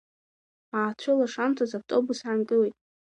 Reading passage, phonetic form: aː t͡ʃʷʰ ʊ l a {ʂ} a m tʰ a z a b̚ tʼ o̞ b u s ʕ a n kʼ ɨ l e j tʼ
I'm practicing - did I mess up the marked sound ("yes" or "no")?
no